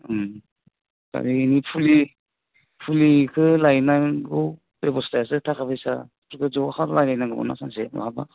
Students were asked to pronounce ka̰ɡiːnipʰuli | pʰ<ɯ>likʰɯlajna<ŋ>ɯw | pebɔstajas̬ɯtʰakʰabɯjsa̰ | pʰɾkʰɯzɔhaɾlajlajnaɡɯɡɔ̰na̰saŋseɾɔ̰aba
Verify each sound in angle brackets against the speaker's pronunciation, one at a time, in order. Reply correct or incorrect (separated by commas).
incorrect, incorrect